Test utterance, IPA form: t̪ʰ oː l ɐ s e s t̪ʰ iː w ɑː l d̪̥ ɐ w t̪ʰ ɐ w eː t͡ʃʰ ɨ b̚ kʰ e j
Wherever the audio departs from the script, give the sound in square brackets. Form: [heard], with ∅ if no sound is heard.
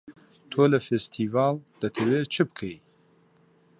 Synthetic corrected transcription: t̪ʰ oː l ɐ [f] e s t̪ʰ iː [v] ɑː l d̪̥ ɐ [∅] t̪ʰ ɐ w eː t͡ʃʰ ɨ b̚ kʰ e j